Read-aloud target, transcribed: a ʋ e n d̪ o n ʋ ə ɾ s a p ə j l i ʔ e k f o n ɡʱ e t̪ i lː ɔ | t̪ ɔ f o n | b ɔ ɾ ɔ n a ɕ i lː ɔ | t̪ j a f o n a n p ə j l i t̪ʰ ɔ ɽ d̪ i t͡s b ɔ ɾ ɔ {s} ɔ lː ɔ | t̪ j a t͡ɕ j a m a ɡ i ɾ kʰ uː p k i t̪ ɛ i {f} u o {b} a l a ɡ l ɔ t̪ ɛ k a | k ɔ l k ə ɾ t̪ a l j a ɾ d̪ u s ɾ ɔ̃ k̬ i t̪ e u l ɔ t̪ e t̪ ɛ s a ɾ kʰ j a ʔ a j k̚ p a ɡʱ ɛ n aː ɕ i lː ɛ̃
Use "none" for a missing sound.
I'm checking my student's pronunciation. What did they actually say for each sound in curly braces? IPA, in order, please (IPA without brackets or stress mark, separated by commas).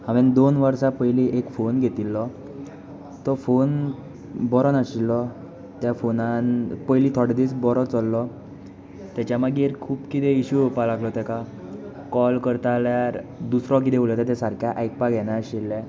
t͡s, ɕ, p